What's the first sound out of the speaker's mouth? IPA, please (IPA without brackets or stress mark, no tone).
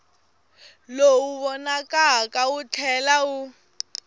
l